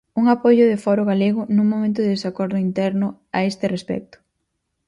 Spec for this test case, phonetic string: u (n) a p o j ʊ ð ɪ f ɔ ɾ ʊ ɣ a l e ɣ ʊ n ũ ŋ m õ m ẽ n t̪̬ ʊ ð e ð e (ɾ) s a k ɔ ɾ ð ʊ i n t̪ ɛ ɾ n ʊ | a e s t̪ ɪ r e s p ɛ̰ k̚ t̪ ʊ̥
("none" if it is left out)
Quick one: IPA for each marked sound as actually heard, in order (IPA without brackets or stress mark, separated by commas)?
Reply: ŋ, none